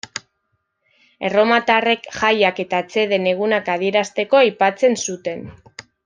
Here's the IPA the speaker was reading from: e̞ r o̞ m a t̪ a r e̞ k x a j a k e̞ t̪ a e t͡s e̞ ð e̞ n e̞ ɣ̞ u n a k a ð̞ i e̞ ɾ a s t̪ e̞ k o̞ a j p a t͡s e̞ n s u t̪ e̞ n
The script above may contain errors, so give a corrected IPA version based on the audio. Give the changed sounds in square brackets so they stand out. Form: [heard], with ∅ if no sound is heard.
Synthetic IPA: e̞ r o̞ m a t̪ a r e̞ k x a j a k e̞ t̪ a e t͡s e̞ ð e̞ n e̞ ɣ̞ u n a k a ð̞ i e̞ ɾ a s t̪ e̞ k o̞ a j p a t͡s e̞ n s u t̪ e̞ n